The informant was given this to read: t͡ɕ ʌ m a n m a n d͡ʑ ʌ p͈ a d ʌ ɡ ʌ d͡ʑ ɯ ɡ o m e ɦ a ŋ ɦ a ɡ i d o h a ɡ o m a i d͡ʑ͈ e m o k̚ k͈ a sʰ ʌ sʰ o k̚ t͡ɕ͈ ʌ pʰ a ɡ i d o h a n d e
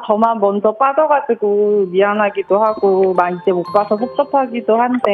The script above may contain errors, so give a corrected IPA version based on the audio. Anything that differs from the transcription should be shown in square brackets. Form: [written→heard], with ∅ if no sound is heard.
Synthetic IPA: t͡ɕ ʌ m a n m [a→ʌ] n d͡ʑ ʌ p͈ a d ʌ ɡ [ʌ→a] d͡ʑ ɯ ɡ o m [e→i] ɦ a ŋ ɦ a ɡ i d o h a ɡ o m a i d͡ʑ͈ e m o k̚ [k͈→p͈] a sʰ ʌ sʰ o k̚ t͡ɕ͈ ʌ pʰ a ɡ i d o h a n d e